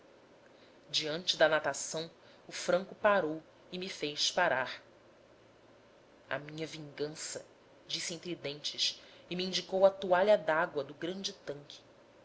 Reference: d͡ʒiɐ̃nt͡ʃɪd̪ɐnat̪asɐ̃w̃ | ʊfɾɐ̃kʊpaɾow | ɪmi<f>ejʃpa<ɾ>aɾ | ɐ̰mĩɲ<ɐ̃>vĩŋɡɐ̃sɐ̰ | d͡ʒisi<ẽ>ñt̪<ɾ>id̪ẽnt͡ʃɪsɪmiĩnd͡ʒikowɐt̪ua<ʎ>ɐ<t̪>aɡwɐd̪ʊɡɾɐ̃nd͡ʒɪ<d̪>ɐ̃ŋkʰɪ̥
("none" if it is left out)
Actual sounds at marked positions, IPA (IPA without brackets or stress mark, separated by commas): f, ɾ, ɐ, ẽ, ɾ, ʎ, d̪, t̪